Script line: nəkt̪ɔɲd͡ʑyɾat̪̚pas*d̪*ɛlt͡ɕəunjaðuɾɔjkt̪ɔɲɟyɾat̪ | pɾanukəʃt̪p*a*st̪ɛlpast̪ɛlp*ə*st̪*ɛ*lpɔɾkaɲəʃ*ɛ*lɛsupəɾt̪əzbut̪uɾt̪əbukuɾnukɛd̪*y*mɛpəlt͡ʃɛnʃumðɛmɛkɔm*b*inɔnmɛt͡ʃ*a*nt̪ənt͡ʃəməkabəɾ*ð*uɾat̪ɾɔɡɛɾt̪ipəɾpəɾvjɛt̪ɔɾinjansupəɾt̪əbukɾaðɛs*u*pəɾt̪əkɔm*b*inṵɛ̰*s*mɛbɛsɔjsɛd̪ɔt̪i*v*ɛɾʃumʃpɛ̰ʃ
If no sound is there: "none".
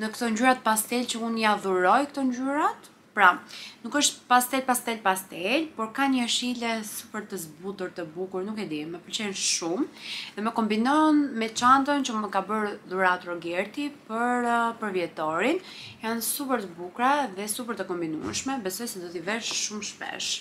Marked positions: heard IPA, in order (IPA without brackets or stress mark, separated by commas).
t̪, a, a, ɛ, i, i, b, a, ð, u, b, ʃ, v